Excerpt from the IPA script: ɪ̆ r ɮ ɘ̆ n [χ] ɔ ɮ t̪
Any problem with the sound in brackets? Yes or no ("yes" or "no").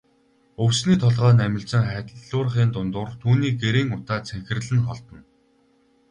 no